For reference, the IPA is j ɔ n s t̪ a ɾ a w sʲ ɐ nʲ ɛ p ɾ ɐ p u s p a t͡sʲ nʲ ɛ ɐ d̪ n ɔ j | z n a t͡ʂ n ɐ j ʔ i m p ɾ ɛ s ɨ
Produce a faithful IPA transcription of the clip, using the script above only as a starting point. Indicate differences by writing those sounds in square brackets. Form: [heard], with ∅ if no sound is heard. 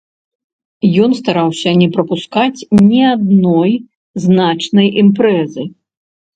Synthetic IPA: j ɔ n s t̪ a ɾ a w sʲ ɐ nʲ ɛ p ɾ ɐ p u s [k] a t͡sʲ nʲ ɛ [a] d̪ n ɔ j | z n a t͡ʂ n ɐ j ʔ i m p ɾ ɛ [z] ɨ